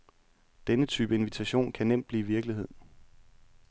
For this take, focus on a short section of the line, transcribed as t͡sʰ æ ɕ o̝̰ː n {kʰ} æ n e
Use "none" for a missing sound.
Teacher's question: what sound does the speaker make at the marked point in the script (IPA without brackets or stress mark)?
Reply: kʰ